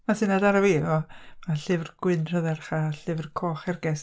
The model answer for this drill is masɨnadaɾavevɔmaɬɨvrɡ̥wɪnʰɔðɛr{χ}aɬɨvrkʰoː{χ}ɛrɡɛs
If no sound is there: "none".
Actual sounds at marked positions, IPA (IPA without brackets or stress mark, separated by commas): χ, χ